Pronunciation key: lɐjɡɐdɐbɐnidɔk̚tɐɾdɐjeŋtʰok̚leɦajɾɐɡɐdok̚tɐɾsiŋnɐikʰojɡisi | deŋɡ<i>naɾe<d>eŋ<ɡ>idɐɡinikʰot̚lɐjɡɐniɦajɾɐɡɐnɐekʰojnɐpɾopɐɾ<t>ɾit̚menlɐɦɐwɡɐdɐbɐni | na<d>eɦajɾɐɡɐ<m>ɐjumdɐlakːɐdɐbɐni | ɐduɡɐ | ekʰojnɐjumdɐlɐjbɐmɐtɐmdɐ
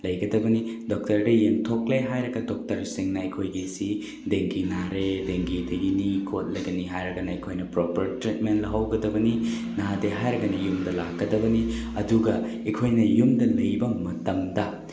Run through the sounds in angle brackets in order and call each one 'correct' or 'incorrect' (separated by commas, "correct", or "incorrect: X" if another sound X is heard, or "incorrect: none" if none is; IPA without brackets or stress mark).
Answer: correct, correct, correct, correct, correct, incorrect: n